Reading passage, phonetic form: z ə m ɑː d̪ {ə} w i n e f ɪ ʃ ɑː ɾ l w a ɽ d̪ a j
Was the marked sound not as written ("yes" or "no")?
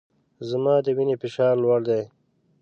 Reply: no